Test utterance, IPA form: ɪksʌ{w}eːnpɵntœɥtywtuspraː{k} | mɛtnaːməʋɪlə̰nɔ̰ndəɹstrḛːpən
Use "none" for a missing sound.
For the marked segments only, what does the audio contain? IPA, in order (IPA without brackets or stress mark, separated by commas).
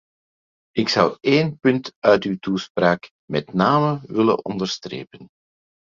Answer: w, k